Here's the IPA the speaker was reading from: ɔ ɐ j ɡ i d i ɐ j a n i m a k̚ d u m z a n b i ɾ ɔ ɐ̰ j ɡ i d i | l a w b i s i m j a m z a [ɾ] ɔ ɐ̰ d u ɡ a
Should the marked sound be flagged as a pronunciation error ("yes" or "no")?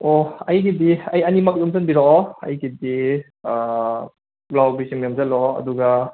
yes